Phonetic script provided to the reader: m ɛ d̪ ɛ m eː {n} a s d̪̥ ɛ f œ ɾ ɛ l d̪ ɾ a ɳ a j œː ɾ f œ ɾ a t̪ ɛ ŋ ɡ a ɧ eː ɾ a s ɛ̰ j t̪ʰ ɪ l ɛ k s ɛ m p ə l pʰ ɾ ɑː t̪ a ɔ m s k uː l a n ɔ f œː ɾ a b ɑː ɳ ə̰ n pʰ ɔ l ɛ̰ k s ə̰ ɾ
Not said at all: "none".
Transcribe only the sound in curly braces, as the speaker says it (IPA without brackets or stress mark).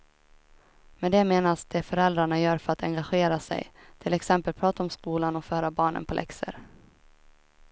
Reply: n